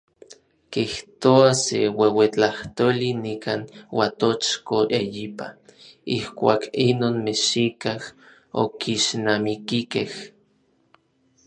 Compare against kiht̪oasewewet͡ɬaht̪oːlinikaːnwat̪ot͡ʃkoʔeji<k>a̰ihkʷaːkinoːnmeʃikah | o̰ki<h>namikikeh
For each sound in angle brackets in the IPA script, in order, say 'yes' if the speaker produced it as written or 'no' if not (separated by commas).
no, no